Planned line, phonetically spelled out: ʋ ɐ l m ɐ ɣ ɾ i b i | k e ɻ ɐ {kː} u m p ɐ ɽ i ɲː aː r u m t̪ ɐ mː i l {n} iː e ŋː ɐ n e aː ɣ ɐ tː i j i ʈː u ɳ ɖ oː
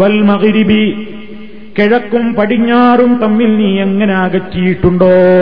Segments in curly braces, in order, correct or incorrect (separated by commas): correct, correct